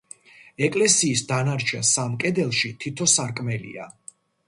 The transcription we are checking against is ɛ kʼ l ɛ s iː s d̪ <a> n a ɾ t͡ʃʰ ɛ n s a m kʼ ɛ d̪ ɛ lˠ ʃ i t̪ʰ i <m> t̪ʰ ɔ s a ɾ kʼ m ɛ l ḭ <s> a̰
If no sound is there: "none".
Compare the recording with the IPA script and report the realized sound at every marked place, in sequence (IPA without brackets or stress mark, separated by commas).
a, none, none